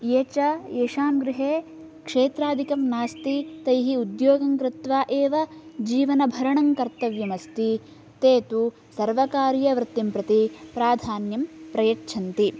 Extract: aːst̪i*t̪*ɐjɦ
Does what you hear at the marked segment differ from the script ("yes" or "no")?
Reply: no